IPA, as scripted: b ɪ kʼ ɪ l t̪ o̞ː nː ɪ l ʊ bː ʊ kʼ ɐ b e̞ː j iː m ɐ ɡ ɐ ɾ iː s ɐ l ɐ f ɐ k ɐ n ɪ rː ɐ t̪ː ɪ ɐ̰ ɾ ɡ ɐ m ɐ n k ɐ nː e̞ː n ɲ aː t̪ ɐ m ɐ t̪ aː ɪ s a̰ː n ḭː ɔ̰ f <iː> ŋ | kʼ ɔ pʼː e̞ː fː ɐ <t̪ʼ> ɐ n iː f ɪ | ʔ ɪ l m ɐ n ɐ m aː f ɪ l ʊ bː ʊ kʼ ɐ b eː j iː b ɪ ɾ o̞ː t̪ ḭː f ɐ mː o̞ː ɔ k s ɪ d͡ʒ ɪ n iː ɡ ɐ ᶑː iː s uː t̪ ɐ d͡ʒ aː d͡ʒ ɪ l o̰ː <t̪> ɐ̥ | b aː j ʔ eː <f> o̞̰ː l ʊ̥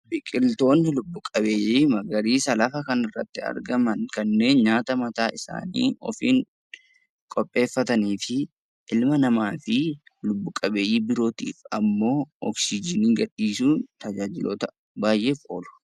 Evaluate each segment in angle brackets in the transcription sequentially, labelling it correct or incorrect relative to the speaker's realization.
correct, incorrect: t̪, correct, correct

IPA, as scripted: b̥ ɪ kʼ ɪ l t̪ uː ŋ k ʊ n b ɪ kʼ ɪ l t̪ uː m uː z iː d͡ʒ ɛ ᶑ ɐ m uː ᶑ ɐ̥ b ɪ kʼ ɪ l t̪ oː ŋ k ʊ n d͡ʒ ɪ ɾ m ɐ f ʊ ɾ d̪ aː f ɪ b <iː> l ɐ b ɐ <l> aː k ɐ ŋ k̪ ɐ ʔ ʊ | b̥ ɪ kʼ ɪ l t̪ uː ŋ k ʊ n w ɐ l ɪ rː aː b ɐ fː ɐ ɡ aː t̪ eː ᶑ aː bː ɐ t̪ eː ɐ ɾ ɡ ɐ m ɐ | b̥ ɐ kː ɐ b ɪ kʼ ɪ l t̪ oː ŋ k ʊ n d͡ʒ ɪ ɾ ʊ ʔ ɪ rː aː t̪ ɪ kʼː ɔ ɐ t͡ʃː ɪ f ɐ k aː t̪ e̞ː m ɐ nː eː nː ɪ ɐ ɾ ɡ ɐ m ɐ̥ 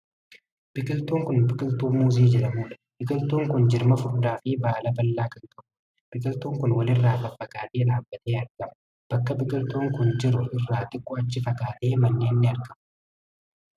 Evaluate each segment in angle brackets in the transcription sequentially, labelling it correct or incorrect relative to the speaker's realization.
incorrect: aː, incorrect: lː

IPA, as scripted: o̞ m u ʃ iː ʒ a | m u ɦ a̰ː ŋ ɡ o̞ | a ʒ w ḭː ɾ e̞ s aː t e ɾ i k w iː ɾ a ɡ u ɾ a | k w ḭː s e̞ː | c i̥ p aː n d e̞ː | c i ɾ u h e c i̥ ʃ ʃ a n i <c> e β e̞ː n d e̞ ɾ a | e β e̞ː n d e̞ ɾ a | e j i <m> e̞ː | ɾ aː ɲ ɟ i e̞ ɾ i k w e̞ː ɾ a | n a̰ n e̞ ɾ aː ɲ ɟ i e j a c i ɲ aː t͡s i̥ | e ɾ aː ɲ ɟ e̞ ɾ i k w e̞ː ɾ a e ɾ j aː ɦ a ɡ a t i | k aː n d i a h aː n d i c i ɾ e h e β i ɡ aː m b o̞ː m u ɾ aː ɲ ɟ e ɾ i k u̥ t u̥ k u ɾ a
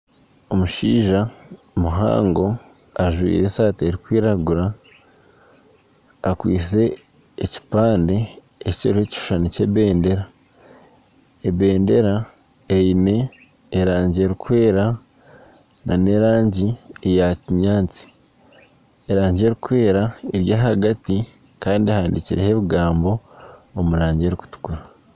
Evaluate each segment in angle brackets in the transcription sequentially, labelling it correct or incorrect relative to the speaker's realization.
correct, incorrect: n

